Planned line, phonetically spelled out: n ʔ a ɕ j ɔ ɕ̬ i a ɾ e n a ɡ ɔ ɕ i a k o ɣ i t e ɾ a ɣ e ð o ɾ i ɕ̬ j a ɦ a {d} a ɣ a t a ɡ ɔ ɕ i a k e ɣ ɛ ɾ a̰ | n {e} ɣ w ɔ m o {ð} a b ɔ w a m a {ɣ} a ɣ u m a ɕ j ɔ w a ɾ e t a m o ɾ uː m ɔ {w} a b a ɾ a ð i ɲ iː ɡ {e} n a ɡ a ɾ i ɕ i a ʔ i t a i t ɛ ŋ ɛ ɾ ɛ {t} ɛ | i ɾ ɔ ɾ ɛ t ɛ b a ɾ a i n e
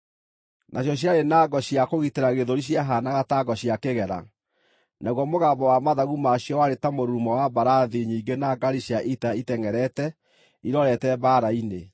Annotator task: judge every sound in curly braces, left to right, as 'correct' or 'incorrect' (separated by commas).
incorrect, incorrect, incorrect, incorrect, correct, correct, correct